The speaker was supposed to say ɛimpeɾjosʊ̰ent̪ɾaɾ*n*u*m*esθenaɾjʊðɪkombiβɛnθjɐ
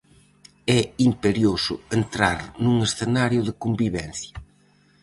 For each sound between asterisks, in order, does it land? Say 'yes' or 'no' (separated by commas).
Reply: yes, no